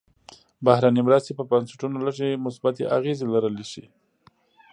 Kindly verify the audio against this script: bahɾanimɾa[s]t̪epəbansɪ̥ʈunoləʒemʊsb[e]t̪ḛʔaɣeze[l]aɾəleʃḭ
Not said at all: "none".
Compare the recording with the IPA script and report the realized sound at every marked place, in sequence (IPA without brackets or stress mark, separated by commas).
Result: s, a, l